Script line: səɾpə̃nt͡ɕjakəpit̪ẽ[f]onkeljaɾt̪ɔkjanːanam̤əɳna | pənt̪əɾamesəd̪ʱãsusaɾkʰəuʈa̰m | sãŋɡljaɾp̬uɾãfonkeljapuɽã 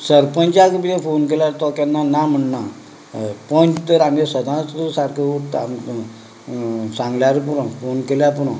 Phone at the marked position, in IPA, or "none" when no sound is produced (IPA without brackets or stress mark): f